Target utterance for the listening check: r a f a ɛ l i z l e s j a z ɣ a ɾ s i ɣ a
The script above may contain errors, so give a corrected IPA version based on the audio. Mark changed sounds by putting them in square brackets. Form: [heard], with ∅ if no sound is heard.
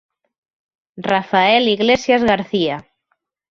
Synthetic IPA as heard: r a f a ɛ l i [ɣ] l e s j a z ɣ a ɾ [θ] i [∅] a